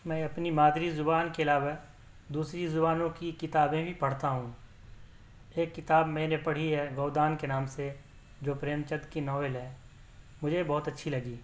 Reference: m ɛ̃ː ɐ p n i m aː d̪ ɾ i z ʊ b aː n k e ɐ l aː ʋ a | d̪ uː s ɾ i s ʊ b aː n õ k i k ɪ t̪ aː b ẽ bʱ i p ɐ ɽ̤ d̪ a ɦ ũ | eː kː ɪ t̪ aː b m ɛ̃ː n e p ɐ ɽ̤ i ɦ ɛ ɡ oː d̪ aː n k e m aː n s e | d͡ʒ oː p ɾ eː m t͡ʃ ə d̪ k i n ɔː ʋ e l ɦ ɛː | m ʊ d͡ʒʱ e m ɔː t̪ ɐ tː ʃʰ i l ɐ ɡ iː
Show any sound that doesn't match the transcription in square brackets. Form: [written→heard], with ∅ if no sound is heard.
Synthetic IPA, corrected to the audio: m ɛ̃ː ɐ p n i m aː d̪ ɾ i z ʊ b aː n k e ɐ l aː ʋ a | d̪ uː s ɾ i [s→z] ʊ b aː n õ k i k ɪ t̪ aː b ẽ bʱ i p ɐ ɽ̤ [d̪→t̪] a ɦ ũ | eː kː ɪ t̪ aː b m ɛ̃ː n e p ɐ ɽ̤ i ɦ ɛ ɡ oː d̪ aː n k e [m→n] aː [n→m] s e | d͡ʒ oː p ɾ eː m t͡ʃ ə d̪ k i n ɔː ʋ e l ɦ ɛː | m ʊ d͡ʒʱ e [m→b] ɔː t̪ ɐ tː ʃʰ i l ɐ ɡ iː